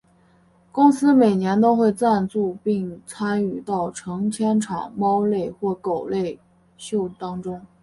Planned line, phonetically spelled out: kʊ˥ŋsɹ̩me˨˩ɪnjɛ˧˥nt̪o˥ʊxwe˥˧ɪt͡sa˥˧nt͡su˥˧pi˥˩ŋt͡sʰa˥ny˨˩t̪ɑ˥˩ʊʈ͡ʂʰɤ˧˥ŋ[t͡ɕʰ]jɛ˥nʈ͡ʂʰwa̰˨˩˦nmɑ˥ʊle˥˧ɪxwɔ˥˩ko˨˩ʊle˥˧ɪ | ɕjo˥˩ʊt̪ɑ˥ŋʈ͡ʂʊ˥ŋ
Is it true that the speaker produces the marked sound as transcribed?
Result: yes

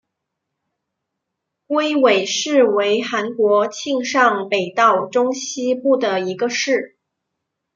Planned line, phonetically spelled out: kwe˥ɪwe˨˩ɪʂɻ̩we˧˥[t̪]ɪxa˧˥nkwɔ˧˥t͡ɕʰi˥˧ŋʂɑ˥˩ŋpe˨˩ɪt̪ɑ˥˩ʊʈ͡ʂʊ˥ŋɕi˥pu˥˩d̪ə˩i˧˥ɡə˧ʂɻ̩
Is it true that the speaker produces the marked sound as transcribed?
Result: no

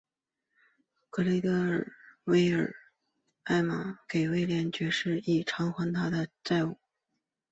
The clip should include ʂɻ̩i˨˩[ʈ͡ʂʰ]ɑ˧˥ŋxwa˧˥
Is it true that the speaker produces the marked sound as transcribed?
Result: yes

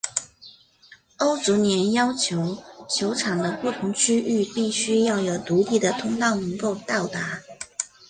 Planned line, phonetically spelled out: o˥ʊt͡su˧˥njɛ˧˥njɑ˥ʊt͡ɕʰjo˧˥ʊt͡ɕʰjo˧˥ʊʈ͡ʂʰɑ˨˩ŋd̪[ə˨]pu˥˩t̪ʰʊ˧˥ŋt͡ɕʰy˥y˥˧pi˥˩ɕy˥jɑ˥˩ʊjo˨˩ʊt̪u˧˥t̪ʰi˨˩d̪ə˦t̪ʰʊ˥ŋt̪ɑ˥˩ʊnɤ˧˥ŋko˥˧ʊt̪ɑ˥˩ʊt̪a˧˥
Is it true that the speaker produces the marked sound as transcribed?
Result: no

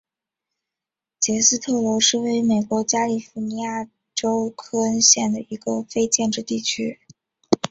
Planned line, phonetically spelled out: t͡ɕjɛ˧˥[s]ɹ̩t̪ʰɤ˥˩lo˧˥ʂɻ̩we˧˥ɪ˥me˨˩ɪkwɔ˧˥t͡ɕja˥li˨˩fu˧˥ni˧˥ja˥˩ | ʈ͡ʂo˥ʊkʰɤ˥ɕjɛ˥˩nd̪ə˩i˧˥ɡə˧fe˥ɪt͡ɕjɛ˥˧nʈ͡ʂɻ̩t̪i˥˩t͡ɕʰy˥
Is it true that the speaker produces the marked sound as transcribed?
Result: yes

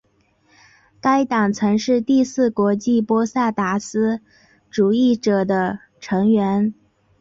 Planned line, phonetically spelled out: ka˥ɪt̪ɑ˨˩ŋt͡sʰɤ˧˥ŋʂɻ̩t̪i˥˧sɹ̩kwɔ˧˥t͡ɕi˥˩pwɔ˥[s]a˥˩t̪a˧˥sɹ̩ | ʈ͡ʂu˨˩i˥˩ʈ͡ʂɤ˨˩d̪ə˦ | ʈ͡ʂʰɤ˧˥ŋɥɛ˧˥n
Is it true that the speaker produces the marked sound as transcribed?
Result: yes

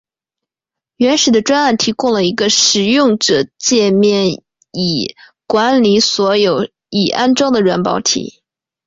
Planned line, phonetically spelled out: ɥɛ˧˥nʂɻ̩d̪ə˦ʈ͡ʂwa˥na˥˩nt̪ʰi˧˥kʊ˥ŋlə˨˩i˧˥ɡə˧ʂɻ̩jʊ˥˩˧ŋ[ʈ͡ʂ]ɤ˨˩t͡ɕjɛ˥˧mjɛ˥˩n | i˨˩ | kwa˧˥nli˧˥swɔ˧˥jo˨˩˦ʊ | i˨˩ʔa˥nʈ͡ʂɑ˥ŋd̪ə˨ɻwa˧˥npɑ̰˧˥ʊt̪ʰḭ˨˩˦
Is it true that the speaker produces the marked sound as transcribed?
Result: yes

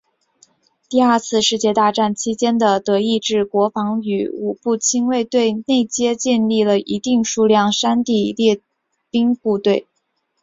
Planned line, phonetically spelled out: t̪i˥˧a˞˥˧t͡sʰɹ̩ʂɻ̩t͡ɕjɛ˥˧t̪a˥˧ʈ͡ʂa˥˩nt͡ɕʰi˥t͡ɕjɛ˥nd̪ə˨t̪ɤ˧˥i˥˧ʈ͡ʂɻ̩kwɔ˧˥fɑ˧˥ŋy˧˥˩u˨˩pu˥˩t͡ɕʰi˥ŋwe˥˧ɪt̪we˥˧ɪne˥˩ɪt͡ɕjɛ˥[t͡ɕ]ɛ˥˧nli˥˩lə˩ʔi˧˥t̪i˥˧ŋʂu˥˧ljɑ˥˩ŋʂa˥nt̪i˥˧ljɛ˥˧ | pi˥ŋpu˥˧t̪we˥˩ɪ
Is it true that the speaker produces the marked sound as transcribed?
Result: yes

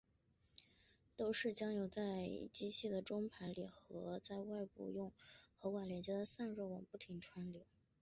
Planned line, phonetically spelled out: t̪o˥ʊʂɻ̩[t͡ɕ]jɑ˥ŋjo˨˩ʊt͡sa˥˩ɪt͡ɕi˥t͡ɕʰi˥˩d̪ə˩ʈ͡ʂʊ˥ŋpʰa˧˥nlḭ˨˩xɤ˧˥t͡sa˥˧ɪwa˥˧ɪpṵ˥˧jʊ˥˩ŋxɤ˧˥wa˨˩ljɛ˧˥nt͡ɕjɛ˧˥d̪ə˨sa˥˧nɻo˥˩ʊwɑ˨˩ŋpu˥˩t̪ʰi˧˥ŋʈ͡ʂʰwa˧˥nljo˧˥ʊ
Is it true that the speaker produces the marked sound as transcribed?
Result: yes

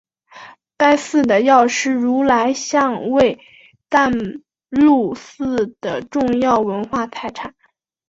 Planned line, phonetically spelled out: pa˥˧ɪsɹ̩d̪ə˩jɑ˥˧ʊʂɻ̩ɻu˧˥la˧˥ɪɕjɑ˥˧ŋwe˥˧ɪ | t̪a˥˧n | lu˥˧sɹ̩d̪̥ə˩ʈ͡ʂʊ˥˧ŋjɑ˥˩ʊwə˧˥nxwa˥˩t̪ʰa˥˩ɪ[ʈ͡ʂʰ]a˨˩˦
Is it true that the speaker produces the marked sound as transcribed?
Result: yes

